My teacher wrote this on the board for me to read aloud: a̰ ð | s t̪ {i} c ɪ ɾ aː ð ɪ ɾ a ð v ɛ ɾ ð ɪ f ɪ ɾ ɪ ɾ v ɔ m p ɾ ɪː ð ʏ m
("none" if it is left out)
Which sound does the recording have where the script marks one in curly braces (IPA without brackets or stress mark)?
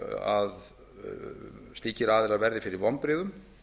iː